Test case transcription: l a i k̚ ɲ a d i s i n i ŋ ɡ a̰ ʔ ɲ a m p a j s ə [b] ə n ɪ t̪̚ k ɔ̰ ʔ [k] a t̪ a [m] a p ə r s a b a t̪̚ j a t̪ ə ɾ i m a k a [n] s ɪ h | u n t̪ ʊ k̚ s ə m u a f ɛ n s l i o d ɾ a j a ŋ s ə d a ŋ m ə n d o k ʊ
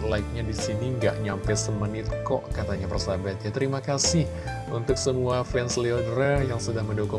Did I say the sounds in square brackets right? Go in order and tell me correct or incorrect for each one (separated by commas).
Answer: incorrect, correct, incorrect, incorrect